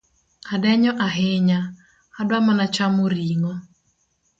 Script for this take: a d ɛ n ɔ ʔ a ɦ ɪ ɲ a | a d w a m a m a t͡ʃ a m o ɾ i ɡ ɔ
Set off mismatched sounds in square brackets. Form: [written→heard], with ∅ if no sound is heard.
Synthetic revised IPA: a d ɛ [n→ɲ] ɔ ʔ a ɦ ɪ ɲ a | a d w a m a [m→n] a t͡ʃ a m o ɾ i [ɡ→ŋ] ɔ